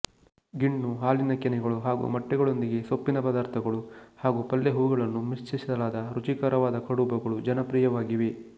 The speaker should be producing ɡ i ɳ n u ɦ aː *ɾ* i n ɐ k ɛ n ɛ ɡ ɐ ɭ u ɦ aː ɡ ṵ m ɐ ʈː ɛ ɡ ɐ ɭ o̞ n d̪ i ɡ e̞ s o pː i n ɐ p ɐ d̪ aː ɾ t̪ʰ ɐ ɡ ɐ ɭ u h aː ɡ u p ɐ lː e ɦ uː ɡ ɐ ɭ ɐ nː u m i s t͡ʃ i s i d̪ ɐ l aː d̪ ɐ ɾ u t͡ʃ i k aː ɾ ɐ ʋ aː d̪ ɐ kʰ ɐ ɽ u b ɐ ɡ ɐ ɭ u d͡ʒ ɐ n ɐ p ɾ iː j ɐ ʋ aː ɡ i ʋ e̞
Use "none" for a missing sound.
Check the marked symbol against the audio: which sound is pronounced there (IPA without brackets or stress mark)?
l